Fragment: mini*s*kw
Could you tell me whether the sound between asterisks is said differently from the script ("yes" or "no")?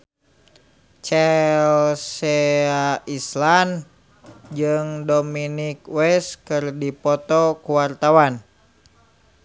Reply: yes